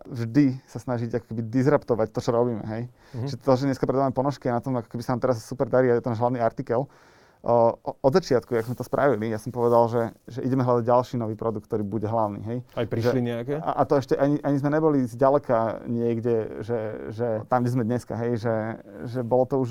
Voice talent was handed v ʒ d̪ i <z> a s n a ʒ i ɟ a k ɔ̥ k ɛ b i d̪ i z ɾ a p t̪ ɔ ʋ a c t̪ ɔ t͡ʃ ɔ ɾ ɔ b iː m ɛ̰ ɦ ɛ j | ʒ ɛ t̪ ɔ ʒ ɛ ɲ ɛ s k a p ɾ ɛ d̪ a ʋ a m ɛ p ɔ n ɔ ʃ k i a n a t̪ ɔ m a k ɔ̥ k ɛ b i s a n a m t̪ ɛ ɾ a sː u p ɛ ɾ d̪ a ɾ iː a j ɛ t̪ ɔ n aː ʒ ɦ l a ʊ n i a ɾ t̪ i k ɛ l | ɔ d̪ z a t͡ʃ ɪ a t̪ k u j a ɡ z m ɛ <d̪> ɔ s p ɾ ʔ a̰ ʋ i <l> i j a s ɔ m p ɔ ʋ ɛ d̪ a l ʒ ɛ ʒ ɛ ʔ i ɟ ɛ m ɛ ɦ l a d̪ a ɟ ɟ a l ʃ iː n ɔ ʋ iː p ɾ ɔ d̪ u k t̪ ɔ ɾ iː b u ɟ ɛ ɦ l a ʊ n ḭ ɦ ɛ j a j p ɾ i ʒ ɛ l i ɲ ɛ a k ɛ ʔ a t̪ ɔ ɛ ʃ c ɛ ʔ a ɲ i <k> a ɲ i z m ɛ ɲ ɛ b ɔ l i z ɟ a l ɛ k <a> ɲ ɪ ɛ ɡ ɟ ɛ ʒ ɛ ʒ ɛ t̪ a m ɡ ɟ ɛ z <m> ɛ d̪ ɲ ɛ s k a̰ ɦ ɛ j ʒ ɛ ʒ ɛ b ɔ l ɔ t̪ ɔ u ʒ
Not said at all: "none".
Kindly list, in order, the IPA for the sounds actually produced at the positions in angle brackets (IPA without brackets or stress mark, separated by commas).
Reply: s, t̪, l, ʔ, a, m